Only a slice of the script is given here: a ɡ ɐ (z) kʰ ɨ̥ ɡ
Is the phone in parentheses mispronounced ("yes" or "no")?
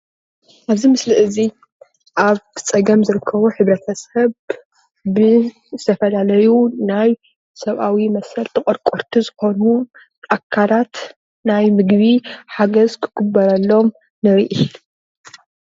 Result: no